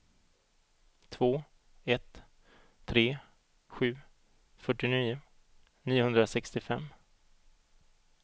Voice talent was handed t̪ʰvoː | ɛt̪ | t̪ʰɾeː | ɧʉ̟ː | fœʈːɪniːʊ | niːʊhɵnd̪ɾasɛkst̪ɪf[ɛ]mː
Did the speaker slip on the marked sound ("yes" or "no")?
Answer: no